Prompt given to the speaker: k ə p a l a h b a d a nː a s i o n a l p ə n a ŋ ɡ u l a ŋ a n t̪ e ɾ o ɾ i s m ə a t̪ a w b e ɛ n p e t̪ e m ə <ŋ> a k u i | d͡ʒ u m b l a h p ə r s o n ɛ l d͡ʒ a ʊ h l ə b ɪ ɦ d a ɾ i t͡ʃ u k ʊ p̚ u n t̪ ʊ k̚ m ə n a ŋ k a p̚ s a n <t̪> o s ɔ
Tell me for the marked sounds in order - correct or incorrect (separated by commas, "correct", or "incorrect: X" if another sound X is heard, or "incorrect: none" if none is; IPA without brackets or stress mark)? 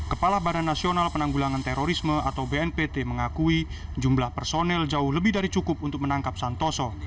correct, correct